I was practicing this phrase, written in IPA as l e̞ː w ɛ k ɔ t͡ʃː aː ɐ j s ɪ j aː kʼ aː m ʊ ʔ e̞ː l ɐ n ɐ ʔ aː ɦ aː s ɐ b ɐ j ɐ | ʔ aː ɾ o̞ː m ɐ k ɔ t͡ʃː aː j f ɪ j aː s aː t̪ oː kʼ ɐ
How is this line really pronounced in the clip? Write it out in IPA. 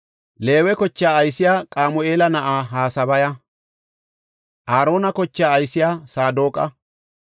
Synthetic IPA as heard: l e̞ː w ɛ k ɔ t͡ʃː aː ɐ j s ɪ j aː kʼ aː m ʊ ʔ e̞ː l ɐ n ɐ ʔ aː ɦ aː s ɐ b ɐ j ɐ | ʔ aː ɾ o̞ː n ɐ k ɔ t͡ʃː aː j s ɪ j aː s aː d̪ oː kʼ ɐ

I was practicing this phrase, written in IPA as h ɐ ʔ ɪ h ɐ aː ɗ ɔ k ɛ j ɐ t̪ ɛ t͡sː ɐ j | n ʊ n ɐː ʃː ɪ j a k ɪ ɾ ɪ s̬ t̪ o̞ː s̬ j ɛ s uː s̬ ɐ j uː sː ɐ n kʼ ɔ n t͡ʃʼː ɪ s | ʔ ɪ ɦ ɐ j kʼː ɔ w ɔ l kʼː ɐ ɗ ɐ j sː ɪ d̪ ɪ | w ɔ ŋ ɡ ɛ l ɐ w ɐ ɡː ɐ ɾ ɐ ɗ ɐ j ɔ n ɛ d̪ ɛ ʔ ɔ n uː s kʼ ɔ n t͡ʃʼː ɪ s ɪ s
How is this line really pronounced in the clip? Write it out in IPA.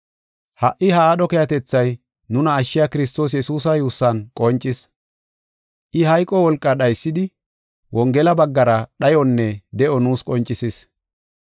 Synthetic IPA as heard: h ɐ ʔ ɪ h ɐ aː ɗ ɔ k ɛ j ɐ t̪ ɛ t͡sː ɐ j | n ʊ n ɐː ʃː ɪ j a k ɪ ɾ ɪ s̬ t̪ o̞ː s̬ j ɛ s uː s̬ ɐ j uː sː ɐ n kʼ ɔ n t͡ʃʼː ɪ s | ʔ ɪ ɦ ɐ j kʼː ɔ w ɔ l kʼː ɐ ɗ ɐ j sː ɪ d̪ ɪ | w ɔ ŋ ɡ ɛ l ɐ b ɐ ɡː ɐ ɾ ɐ ɗ ɐ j ɔ nː ɛ d̪ ɛ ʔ ɔ n uː s kʼ ɔ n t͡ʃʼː ɪ s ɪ s

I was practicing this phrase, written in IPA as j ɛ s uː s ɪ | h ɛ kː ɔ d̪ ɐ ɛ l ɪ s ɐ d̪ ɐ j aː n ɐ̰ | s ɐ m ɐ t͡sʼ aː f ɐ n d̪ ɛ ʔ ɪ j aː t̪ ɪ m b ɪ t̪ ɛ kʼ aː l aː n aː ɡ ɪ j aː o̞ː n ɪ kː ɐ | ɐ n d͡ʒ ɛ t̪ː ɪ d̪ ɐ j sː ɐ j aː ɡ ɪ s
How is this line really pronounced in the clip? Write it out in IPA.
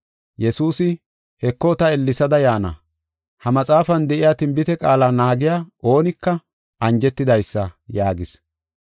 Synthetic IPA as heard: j ɛ s uː s ɪ | h ɛ kː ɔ t̪ ɐ ɛ lː ɪ s ɐ d̪ ɐ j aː n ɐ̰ | h ɐ m ɐ t͡sʼ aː f ɐ n d̪ ɛ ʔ ɪ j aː t̪ ɪ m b ɪ t̪ ɛ kʼ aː l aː n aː ɡ ɪ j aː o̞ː n ɪ kː ɐ | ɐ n d͡ʒ ɛ t̪ː ɪ d̪ ɐ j sː ɐ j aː ɡ ɪ s

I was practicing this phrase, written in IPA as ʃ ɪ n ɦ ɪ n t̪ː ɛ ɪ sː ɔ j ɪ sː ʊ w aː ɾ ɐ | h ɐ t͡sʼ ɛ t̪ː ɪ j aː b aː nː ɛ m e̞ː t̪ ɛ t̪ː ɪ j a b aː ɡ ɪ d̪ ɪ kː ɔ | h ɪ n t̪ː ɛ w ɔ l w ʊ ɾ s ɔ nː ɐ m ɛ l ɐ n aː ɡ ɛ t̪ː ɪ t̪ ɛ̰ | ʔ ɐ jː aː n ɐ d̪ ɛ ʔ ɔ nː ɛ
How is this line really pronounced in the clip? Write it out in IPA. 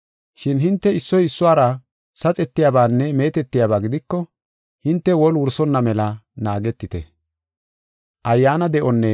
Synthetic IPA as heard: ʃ ɪ n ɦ ɪ n t̪ː ɛ ɪ sː ɔ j ɪ sː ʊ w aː ɾ ɐ | s ɐ t͡sʼ ɛ t̪ː ɪ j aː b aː nː ɛ m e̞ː t̪ ɛ t̪ː ɪ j a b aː ɡ ɪ d̪ ɪ kː ɔ | h ɪ n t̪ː ɛ w ɔ l w ʊ ɾ s ɔ nː ɐ m ɛ l ɐ n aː ɡ ɛ t̪ː ɪ t̪ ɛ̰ | ʔ ɐ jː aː n ɐ d̪ ɛ ʔ ɔ nː ɛ

